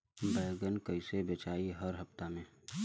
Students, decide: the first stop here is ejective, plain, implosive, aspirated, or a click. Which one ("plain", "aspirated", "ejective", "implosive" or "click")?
plain